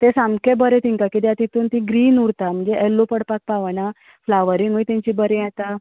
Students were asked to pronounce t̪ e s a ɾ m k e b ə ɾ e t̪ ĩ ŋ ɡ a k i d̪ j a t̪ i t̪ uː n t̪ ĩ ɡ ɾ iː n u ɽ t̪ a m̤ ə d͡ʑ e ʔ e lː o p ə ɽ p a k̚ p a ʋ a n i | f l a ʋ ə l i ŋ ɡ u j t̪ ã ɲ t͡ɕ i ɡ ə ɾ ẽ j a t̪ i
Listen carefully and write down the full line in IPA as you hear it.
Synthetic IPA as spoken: t̪ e s a m k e b ə ɾ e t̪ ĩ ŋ k a k i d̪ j a t̪ i t̪ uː n t̪ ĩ ɡ ɾ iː n u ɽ t̪ a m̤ ə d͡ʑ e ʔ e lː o p ə ɽ p a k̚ p a ʋ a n a | f l a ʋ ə ɾ i ŋ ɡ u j t̪ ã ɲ t͡ɕ i b ə ɾ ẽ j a t̪ a